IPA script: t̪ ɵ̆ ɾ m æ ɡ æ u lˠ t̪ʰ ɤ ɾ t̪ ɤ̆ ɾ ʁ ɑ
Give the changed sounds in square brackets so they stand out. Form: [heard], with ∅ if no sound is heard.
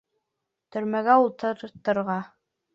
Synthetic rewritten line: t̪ ɵ̆ ɾ m æ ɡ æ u lˠ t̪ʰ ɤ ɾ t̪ ɤ̆ ɾ ʁ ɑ